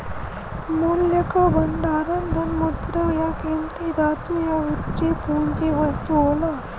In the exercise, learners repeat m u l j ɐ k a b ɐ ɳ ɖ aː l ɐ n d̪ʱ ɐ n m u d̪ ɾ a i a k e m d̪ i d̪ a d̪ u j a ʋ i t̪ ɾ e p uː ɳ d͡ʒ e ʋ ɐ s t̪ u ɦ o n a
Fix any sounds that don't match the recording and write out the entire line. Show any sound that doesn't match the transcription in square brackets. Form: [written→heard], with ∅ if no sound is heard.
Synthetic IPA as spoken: m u l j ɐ k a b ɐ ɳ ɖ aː [l→ɾ] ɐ n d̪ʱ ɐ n m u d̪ ɾ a [i→j] a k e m [d̪→t̪] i d̪ a [d̪→t̪] u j a ʋ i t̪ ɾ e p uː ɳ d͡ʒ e ʋ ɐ s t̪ u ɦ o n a